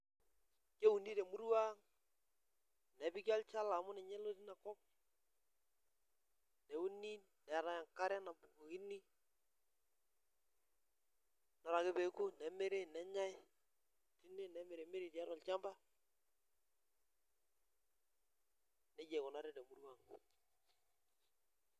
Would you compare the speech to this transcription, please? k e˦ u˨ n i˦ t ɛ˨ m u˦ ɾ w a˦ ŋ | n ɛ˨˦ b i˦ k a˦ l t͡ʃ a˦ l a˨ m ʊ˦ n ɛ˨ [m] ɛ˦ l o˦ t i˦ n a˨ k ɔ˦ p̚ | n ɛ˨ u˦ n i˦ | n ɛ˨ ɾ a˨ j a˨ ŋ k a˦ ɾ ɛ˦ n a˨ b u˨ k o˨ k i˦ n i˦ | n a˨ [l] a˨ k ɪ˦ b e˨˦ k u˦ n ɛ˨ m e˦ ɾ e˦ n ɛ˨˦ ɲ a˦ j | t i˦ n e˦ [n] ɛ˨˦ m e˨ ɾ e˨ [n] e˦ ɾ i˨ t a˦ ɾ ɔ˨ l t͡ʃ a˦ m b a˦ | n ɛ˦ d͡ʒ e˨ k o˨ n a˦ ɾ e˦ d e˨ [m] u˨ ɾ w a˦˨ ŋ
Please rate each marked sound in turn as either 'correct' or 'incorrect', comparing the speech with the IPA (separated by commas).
incorrect, incorrect, correct, incorrect, correct